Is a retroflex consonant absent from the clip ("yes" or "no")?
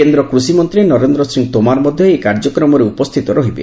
yes